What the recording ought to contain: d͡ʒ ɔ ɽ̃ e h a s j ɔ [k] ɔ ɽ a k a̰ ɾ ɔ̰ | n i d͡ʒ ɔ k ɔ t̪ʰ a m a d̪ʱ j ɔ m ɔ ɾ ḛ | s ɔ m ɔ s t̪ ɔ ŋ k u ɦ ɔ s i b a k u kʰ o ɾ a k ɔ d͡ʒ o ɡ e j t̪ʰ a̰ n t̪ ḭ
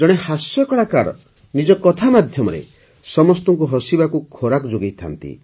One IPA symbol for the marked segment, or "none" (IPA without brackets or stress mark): k